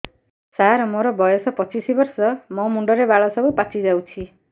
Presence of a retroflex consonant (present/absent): present